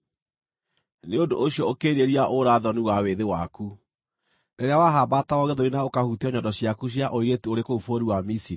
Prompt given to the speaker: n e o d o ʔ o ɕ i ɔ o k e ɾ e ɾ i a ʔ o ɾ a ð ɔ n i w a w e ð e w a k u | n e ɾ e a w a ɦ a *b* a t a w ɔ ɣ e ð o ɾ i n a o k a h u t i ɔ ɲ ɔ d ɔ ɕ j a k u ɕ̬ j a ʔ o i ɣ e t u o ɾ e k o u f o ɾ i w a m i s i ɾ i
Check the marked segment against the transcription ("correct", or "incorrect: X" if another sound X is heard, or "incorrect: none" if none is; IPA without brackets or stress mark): correct